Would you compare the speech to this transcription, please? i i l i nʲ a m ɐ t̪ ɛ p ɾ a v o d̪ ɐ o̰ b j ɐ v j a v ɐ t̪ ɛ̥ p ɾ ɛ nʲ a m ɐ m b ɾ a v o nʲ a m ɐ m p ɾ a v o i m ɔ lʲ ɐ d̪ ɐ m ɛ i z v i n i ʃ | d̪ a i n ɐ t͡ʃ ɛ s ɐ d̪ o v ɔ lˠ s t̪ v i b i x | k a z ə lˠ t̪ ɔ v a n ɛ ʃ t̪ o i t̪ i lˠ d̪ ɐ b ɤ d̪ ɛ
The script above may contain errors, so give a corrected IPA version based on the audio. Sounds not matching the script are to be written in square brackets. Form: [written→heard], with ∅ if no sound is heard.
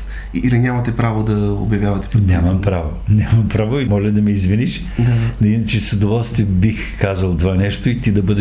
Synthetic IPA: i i l i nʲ a m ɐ t̪ ɛ p ɾ a v o d̪ ɐ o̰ b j ɐ v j a v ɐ t̪ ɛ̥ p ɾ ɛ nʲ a m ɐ m [b→p] ɾ a v o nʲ a m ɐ m p ɾ a v o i m ɔ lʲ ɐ d̪ ɐ m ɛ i z v i n i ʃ | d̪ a i n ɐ t͡ʃ ɛ s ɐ d̪ o v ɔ lˠ s t̪ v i b i x | k a z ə lˠ t̪ [ɔ→o] v a n ɛ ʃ t̪ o i t̪ i [lˠ→∅] d̪ ɐ b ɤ d̪ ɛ